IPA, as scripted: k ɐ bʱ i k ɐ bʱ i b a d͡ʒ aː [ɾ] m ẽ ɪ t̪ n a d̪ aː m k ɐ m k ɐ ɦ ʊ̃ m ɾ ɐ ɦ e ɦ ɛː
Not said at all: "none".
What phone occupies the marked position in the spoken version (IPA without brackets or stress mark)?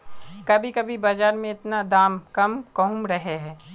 ɾ